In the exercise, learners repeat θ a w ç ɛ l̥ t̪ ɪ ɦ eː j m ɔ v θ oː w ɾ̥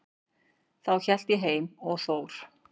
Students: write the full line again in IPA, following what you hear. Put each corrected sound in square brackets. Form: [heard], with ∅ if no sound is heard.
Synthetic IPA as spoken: θ a w ç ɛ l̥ t̪ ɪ ɦ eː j m ɔ [ɣ] θ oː w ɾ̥